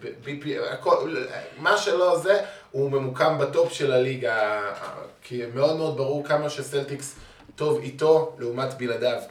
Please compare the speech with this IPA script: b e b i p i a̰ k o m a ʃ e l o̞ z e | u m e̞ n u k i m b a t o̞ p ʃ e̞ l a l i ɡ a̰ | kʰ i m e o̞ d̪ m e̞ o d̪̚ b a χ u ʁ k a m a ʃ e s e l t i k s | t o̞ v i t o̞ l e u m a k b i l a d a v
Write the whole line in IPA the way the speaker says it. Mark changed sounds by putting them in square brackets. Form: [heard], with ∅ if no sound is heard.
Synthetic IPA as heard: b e b i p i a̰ k o m a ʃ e l o̞ z e | u m e̞ [m] u k [a] m b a t o̞ p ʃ e̞ l a l i ɡ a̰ | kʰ i m e o̞ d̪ m e̞ o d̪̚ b a [ʁ] u ʁ k a m a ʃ e s e l t i k s | t o̞ v i t o̞ l e u m a [t] b i l a d a v